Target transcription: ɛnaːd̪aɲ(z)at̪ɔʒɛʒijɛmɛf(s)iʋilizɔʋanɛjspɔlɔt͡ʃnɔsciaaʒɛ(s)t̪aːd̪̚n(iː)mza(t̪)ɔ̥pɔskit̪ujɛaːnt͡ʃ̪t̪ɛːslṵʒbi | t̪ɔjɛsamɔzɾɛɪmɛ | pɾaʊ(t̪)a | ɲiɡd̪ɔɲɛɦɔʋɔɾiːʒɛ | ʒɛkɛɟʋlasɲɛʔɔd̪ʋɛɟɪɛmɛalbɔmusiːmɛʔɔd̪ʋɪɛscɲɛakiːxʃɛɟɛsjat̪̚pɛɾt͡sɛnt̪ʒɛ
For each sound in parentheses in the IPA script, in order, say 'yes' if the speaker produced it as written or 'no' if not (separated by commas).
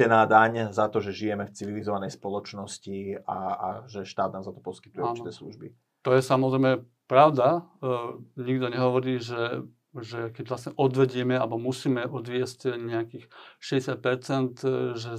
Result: yes, no, no, no, yes, no